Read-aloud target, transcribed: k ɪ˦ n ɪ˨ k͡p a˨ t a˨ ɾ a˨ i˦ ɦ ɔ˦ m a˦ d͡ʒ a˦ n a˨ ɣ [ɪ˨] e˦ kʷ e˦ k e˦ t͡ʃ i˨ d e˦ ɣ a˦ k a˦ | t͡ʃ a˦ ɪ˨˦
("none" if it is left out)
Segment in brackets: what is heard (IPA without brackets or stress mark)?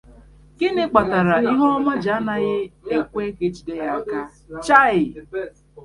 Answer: ɪ˦